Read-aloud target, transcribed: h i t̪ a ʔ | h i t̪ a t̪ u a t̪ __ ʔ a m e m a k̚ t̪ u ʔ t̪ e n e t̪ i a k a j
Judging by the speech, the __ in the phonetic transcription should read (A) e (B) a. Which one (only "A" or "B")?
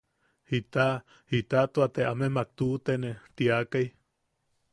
A